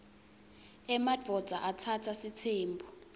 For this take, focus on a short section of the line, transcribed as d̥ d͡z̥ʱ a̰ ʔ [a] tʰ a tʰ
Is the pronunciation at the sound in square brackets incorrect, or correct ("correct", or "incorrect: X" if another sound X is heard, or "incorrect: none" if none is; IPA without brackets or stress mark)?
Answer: correct